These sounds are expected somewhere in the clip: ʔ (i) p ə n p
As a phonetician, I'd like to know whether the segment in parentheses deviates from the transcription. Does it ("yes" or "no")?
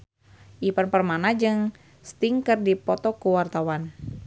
no